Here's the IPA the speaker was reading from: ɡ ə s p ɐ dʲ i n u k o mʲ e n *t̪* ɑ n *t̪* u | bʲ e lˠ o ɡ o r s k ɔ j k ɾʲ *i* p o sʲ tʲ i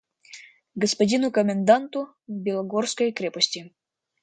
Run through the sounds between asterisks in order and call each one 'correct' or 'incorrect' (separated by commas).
incorrect, correct, incorrect